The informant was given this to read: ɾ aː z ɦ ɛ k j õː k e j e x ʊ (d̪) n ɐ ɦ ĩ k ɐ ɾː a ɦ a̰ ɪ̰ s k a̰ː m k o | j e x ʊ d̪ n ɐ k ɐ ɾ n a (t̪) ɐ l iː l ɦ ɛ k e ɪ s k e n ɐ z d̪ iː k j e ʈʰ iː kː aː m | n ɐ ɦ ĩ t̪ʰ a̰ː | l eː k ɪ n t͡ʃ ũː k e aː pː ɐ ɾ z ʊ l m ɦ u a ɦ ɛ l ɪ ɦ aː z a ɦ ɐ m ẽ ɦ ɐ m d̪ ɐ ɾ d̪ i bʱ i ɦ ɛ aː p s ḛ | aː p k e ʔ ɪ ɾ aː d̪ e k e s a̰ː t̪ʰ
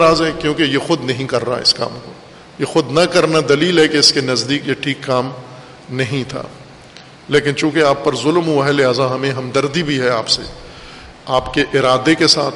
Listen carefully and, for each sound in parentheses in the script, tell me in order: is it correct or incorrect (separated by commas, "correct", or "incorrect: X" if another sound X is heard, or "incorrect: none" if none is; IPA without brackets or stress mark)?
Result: correct, incorrect: d̪